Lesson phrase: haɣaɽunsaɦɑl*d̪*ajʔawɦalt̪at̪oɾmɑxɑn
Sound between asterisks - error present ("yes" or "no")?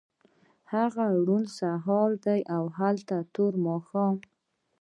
no